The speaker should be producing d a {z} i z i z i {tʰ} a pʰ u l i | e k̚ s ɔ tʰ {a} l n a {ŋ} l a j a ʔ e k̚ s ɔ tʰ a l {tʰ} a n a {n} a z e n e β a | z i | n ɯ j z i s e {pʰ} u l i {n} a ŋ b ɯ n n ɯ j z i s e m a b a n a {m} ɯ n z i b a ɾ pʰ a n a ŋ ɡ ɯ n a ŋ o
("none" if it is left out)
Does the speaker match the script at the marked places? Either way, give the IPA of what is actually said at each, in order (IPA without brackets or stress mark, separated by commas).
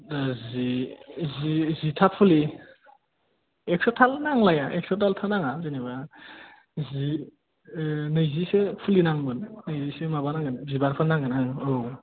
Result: z, tʰ, a, ŋ, tʰ, ŋ, pʰ, n, ŋ